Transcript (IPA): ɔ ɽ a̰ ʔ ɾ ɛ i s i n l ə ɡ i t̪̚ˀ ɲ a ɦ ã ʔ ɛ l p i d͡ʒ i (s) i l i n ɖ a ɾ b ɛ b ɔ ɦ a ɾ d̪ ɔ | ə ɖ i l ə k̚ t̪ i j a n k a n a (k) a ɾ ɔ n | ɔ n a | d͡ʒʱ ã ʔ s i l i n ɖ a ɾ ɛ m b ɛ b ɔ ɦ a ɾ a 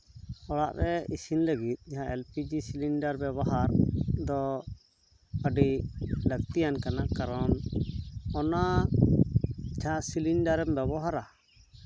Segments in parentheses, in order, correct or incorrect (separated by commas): correct, correct